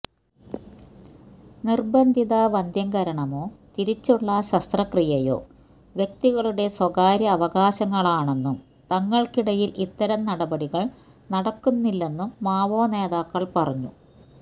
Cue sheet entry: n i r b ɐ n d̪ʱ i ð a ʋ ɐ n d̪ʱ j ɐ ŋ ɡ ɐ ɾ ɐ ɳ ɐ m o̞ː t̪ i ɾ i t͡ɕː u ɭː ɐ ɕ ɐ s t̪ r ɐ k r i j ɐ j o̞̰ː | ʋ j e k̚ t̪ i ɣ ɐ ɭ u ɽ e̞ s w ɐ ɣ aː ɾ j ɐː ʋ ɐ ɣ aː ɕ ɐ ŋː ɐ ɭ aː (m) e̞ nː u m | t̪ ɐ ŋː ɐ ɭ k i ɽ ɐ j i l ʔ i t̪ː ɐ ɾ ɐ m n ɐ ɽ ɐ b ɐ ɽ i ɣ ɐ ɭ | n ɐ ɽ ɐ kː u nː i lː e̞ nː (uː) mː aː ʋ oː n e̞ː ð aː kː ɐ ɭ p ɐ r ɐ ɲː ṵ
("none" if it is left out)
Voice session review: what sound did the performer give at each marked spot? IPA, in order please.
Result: ɳ, u

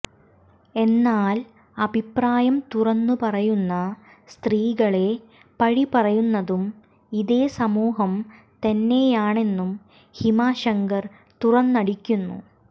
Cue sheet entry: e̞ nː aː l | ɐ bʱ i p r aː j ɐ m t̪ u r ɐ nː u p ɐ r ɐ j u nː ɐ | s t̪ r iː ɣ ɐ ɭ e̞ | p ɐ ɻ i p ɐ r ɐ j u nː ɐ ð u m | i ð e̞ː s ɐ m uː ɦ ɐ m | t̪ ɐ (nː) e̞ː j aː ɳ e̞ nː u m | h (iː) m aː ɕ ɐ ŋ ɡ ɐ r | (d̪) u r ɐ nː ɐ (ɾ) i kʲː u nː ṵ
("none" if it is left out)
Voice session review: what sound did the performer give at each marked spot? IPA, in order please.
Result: nː, i, t̪, ɽ

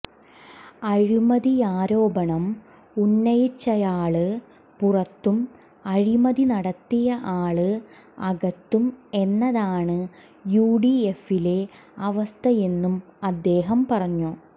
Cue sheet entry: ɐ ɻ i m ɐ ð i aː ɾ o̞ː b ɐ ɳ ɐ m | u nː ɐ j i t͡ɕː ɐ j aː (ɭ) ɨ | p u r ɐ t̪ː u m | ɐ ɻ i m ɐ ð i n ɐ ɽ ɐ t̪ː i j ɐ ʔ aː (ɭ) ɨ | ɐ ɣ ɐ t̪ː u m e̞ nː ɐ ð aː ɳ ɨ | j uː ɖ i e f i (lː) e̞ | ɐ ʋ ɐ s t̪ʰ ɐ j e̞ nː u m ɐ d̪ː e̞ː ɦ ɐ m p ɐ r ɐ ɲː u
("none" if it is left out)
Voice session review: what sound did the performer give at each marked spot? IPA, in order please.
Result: ɭ, ɭ, l

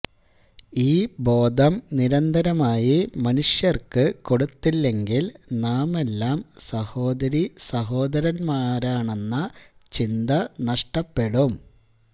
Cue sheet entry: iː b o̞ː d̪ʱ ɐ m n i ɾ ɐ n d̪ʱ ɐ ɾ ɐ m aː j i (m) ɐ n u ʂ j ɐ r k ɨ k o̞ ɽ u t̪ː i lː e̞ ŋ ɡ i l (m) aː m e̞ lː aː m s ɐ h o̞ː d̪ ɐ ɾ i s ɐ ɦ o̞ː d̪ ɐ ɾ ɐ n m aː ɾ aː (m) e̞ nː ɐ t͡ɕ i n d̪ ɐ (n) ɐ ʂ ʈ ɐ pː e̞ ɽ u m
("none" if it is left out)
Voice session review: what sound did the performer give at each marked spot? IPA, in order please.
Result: m, n, ɳ, n

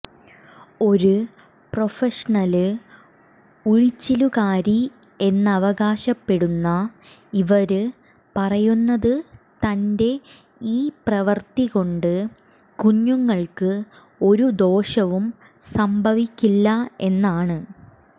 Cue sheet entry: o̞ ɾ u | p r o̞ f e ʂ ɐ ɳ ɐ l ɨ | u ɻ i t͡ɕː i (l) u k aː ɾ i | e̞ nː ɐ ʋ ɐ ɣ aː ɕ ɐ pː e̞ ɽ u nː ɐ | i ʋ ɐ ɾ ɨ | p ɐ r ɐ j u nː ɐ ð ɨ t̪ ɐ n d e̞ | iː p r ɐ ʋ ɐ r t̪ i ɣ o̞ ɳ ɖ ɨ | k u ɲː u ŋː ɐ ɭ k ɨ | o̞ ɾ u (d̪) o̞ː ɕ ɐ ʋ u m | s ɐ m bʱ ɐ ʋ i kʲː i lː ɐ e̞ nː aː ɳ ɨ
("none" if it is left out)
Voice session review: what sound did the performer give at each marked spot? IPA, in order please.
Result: l, d̪

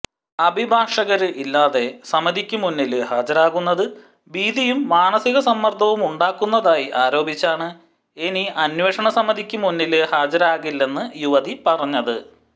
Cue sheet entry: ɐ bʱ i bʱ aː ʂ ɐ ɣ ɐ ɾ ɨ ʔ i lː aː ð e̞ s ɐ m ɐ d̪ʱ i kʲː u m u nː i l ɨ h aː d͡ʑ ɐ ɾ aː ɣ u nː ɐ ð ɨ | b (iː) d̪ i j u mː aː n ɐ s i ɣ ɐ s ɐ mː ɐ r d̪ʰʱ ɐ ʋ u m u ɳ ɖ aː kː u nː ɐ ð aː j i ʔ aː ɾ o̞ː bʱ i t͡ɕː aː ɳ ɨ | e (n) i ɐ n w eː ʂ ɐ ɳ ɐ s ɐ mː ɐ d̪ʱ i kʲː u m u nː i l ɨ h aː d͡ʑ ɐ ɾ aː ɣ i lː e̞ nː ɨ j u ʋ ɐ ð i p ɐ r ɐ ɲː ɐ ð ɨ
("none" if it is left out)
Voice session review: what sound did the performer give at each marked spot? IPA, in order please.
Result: iː, n

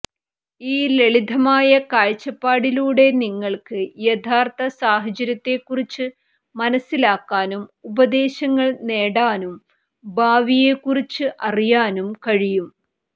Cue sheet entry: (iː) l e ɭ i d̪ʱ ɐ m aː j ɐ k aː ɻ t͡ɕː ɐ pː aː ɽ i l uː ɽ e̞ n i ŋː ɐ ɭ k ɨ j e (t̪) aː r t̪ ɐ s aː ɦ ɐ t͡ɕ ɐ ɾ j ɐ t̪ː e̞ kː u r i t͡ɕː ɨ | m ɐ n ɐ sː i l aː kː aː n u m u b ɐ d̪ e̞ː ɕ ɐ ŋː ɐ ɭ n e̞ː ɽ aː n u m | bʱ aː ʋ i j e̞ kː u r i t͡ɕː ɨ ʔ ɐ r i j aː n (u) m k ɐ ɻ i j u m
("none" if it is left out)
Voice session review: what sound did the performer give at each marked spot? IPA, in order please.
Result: iː, t̪ʰ, u

